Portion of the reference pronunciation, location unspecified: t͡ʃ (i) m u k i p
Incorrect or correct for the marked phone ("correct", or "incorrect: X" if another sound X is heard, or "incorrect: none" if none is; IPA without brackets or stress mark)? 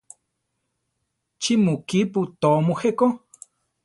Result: correct